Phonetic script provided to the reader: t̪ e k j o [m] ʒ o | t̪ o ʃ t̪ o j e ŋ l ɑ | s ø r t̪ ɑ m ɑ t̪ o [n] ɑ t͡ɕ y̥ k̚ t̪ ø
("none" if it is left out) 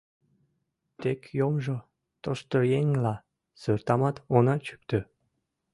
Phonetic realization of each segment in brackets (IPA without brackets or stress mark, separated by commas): m, n